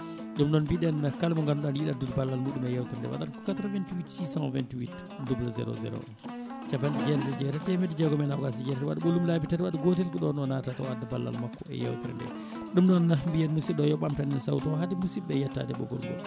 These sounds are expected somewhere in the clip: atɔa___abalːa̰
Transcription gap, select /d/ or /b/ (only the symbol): d